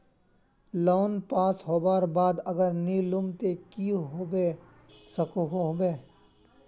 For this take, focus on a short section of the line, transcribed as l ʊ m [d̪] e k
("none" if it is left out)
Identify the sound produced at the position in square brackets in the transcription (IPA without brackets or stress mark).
t̪